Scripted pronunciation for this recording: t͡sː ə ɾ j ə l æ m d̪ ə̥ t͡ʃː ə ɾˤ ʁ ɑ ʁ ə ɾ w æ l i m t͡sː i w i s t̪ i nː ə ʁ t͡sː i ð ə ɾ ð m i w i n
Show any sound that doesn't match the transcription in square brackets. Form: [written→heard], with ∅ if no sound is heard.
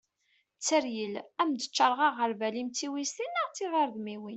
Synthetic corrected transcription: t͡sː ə ɾ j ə l æ m d̪ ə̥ t͡ʃː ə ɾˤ ʁ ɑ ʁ ə ɾ [w→v] æ l i m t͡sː i w i s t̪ i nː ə ʁ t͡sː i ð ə ɾ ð m i w i n